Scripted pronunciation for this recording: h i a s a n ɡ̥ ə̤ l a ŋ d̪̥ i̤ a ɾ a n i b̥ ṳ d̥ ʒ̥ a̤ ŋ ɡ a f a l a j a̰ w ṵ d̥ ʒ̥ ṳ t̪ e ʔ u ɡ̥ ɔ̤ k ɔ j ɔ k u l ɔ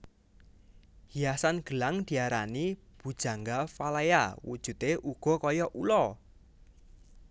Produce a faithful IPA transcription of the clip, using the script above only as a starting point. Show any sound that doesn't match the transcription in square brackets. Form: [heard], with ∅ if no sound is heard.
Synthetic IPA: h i a s a n ɡ̥ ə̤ l a ŋ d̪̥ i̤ a ɾ a n i b̥ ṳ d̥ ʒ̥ a̤ ŋ ɡ a f a l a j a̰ w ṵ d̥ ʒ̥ ṳ t̪ e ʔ u ɡ̥ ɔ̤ k ɔ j ɔ [ʔ] u l ɔ